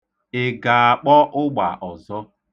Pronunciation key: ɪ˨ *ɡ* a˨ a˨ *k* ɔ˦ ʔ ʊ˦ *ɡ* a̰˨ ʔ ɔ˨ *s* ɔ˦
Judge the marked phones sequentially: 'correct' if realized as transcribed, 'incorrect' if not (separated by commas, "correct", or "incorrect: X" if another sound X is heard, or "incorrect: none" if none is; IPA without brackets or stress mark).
correct, incorrect: k͡p, incorrect: ɡ͡b, incorrect: z